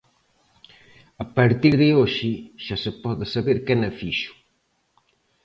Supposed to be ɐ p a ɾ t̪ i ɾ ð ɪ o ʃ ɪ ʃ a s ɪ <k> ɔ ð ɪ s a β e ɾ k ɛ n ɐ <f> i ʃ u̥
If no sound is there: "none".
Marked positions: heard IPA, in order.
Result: p, f

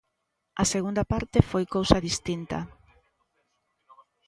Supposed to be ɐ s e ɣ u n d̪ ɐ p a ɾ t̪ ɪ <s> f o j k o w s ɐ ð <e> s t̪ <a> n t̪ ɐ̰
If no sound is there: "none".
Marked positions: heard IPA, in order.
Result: none, i, i

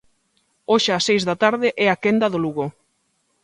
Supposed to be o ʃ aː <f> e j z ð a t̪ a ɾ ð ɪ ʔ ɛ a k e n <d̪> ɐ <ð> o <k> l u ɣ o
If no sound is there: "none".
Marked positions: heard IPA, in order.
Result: s, d̪, ð, none

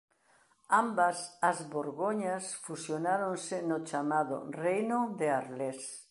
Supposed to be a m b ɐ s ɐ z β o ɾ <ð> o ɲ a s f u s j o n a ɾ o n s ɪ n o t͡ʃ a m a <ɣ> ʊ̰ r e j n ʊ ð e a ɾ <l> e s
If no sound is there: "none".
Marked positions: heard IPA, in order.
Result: ɣ, ð, l

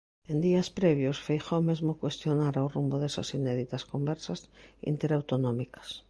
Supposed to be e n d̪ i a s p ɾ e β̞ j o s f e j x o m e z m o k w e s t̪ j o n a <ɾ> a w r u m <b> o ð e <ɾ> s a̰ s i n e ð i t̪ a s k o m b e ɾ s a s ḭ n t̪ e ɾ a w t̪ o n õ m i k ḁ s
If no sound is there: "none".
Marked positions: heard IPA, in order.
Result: ɾ, b, none

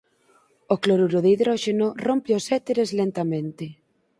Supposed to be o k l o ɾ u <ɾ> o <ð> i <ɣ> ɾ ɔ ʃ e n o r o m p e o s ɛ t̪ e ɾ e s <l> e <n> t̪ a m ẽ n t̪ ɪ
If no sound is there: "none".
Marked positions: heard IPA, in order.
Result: ɾ, ð, ð, l, n

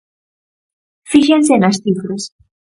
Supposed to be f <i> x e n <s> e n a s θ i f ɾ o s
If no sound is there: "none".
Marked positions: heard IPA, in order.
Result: i, s

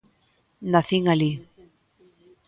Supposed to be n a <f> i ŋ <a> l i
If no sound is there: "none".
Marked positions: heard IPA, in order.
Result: θ, a

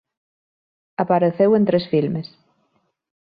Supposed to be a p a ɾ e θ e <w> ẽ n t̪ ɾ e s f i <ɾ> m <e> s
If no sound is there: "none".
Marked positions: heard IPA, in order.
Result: w, l, e

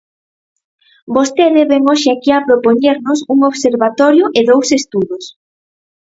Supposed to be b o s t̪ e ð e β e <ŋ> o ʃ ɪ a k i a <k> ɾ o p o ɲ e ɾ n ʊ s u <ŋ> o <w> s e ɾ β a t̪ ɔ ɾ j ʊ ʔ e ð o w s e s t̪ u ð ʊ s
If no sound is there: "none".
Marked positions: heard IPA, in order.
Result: ŋ, p, ŋ, β

